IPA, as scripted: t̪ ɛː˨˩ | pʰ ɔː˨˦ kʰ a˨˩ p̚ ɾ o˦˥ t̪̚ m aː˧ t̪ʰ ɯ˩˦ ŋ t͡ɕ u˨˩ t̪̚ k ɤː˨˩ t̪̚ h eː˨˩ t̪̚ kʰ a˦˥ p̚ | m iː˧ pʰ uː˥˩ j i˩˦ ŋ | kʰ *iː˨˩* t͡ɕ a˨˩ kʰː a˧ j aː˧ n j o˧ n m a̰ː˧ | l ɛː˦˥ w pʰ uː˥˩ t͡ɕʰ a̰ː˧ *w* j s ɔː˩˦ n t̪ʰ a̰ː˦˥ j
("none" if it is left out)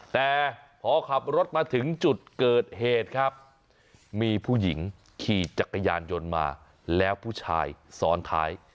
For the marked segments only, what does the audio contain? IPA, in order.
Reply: iː˨˩, none

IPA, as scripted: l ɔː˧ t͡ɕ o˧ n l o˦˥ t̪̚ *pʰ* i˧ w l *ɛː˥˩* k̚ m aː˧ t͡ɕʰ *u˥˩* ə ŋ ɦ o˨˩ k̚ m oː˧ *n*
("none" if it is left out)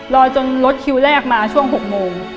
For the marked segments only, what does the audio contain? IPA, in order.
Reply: kʰ, ɛː˥˩, u˥˩, ŋ

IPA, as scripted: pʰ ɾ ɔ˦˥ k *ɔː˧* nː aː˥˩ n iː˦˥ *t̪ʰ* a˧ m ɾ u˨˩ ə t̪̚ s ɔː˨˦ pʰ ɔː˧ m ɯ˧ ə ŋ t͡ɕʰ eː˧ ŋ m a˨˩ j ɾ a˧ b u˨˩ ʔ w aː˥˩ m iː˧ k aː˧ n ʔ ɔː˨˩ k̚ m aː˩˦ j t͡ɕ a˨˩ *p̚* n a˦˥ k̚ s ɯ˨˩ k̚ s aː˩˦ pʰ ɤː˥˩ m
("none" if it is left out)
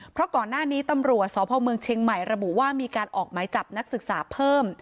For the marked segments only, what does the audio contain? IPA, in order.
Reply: ɔː˨˩, t̪, p̚

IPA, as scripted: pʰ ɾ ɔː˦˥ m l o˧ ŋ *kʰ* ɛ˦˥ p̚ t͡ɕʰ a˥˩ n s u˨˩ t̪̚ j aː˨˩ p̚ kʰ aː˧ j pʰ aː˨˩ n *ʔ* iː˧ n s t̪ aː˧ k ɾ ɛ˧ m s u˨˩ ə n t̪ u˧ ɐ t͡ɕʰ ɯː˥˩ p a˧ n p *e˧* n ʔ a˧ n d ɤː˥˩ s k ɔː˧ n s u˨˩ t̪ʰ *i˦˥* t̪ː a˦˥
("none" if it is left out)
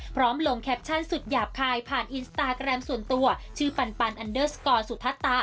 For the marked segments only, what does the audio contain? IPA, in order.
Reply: kʰ, ʔ, a˧, a˦˥

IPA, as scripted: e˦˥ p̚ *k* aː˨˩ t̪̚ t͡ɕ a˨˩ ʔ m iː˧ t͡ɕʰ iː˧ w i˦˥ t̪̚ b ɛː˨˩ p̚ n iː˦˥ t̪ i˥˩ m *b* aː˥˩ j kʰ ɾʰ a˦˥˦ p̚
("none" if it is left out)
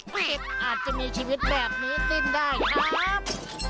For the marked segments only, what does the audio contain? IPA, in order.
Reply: ʔ, d

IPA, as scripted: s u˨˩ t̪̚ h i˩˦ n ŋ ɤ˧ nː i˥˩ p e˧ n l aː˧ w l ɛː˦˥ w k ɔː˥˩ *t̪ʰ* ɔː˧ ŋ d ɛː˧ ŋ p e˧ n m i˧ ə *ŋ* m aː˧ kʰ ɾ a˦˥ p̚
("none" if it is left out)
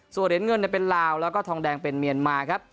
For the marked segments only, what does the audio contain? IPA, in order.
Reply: t̪ʰ, n

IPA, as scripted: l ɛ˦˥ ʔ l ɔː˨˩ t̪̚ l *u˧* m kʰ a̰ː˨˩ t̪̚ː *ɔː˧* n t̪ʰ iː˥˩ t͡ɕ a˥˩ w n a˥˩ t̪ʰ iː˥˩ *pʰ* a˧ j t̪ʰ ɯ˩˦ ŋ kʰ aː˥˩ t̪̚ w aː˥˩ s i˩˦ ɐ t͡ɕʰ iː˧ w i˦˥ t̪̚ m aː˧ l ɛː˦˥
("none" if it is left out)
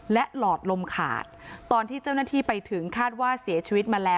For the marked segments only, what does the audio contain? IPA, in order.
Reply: o˧, ɔː˧, p

